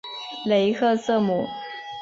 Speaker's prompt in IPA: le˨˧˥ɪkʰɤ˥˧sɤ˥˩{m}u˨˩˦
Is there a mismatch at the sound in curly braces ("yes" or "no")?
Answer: no